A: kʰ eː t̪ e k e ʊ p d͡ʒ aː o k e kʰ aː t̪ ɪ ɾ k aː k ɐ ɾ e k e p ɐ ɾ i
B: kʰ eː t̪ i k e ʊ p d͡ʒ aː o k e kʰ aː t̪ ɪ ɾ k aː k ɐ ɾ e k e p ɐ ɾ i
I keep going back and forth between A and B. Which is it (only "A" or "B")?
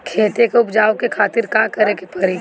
A